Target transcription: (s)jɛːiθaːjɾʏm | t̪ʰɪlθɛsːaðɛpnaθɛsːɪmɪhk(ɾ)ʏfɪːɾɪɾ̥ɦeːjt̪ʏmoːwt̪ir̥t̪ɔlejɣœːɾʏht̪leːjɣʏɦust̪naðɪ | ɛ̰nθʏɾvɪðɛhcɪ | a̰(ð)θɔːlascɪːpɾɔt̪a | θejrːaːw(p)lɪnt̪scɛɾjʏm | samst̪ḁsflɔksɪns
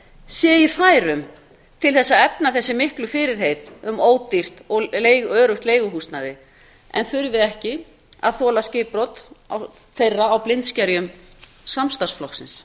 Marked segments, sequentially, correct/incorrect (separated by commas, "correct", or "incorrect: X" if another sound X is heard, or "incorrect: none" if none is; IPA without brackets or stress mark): correct, incorrect: l, correct, correct